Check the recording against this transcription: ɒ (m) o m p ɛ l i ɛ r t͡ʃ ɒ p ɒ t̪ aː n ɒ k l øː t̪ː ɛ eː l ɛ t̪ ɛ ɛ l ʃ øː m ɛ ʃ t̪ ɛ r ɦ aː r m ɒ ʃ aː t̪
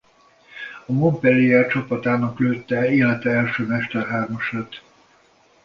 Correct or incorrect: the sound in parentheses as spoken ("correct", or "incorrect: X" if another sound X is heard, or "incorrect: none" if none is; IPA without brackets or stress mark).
correct